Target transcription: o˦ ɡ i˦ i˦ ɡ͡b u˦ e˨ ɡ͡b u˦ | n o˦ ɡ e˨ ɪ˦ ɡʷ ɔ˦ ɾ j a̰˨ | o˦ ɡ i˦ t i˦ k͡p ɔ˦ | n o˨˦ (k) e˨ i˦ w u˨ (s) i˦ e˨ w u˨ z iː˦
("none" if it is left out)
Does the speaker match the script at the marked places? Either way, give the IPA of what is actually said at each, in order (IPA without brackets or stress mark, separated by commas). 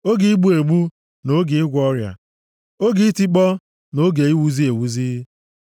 ɡ, z